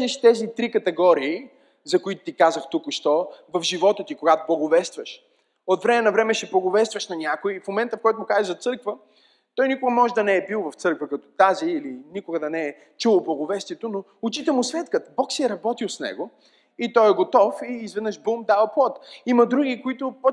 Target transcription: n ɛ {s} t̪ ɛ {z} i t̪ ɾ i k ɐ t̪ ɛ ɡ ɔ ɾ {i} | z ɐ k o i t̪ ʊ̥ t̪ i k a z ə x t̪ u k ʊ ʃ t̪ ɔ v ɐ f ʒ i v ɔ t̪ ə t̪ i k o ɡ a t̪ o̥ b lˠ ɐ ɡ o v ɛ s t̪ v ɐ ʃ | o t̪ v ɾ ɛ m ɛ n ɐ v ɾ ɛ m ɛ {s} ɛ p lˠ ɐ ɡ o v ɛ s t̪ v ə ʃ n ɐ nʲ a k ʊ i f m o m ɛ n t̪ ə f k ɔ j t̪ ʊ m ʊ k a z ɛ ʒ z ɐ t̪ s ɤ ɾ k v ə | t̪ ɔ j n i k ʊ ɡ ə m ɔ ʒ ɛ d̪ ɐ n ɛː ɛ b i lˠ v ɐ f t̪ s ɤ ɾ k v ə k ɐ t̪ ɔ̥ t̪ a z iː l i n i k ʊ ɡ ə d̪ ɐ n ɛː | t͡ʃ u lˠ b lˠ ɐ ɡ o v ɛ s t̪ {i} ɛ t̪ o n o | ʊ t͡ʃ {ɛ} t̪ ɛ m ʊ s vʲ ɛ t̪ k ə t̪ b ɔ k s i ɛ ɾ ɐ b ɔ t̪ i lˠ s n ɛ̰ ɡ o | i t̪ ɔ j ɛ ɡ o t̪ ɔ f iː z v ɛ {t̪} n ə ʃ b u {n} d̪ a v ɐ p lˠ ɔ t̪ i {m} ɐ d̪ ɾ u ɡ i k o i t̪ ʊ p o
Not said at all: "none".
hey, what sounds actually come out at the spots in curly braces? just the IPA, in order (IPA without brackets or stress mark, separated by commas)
ʃ, z, iː, ʃ, i, i, d̪, m, m